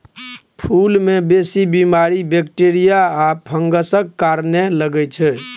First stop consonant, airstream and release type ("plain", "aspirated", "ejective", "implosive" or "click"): aspirated